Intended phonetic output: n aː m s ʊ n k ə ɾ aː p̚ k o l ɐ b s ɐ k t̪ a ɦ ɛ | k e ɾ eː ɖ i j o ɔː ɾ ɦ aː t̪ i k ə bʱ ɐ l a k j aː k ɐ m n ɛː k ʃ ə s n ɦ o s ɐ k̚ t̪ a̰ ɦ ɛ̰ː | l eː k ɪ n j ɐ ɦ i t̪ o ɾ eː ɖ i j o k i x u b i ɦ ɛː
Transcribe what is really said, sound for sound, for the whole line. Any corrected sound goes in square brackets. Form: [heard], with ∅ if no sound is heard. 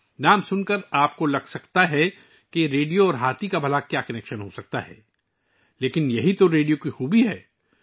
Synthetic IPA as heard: n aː m s ʊ n k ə ɾ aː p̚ k o l ɐ [ɡ] s ɐ k t̪ a ɦ ɛ | k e ɾ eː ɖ i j o ɔː ɾ ɦ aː t̪ i k [a] bʱ ɐ l a k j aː k ɐ [∅] n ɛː k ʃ ə [∅] n ɦ o s ɐ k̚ t̪ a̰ ɦ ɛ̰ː | l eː k ɪ n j ɐ ɦ i t̪ o ɾ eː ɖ i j o k i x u b i ɦ ɛː